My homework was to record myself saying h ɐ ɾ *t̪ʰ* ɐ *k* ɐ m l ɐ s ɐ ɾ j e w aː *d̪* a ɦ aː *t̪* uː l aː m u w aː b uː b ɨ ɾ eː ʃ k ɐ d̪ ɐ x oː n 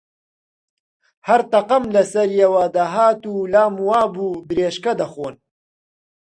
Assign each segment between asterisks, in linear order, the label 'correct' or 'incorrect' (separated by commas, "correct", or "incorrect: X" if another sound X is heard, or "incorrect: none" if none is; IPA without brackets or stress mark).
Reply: incorrect: t̪, incorrect: q, correct, correct